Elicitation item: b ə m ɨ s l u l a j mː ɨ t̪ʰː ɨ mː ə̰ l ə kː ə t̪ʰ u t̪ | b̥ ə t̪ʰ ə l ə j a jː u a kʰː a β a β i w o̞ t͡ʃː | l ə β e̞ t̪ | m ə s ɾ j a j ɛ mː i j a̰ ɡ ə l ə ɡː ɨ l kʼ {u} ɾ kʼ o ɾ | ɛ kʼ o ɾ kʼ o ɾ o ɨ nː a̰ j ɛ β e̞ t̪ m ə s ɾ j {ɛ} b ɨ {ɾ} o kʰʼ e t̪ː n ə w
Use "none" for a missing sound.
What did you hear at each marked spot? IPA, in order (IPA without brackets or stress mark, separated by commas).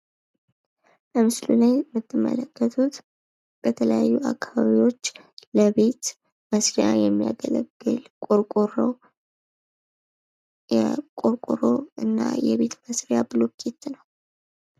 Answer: o, a, l